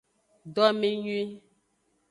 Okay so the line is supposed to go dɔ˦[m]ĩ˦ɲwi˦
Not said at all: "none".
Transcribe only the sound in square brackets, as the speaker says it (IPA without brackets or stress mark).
m